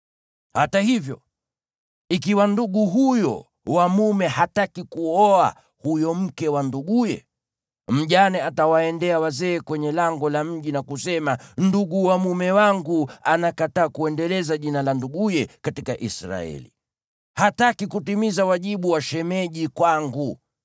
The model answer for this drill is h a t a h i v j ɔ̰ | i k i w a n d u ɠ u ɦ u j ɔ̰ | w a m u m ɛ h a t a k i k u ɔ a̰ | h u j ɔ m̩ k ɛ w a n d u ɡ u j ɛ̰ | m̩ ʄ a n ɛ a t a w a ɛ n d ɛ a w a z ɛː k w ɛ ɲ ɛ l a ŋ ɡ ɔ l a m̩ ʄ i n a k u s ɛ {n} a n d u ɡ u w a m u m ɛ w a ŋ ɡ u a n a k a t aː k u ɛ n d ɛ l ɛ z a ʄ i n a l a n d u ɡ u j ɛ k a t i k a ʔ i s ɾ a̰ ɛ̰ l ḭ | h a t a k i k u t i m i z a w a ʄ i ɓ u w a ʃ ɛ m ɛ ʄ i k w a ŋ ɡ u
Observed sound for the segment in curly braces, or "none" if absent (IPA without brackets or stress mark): m